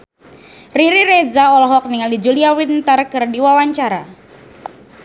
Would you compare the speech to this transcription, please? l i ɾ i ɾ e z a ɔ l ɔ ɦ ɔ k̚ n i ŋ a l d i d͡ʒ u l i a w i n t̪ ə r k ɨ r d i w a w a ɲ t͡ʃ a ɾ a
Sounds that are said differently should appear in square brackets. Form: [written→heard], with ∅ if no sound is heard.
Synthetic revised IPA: [l→r] i ɾ i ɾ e z a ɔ l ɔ ɦ ɔ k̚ n i ŋ a l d i d͡ʒ u l i a w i n t̪ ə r k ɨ r d i w a w a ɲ t͡ʃ a ɾ a